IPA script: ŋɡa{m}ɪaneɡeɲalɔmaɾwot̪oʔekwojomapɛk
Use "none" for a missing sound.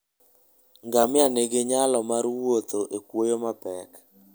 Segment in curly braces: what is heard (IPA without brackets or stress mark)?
m